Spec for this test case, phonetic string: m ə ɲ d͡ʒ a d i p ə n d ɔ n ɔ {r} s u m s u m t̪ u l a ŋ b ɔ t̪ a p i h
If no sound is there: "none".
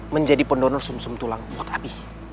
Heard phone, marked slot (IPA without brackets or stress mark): r